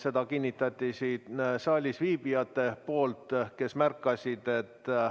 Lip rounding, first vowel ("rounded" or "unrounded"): unrounded